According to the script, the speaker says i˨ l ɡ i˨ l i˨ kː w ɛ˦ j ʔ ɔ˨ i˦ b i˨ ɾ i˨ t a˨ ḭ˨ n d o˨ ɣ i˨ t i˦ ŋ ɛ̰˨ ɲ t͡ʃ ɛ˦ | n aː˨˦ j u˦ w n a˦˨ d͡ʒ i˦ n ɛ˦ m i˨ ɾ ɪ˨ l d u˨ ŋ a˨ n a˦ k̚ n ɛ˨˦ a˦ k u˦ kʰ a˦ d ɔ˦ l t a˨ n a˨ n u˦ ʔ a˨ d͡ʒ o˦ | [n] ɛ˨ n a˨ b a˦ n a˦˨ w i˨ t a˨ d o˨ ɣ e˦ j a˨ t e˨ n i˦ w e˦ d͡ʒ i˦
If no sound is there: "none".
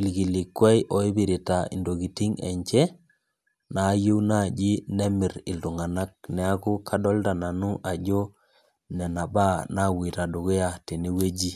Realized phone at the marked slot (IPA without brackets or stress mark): n